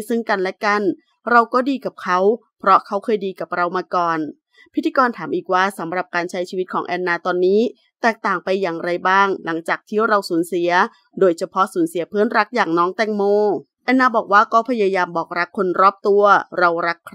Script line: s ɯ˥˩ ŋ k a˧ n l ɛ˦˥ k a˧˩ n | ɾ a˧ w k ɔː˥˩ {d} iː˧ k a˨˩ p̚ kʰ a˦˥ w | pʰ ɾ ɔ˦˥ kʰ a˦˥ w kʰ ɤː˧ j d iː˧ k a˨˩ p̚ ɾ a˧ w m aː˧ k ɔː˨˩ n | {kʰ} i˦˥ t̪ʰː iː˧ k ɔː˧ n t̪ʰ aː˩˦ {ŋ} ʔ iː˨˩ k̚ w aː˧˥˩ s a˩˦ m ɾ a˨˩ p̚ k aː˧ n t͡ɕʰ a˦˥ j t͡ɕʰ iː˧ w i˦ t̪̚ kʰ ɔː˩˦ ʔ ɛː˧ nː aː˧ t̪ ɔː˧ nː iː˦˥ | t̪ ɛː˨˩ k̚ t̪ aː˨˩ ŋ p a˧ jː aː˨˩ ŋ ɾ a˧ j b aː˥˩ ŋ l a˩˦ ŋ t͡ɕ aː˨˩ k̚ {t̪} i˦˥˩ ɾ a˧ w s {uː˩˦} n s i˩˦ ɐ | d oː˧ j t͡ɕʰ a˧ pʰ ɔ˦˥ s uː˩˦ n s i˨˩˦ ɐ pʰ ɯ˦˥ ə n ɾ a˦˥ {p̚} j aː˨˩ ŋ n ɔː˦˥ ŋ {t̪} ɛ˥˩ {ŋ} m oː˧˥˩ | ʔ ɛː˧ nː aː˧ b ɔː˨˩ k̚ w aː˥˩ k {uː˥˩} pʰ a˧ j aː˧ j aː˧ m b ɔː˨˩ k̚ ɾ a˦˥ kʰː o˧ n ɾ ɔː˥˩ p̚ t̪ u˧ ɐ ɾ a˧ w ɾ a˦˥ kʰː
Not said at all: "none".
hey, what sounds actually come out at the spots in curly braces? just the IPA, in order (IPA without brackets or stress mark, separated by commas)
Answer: d, pʰ, m, t̪ʰ, uː˩˦, k̚, t̪, ŋ, ɔː˥˩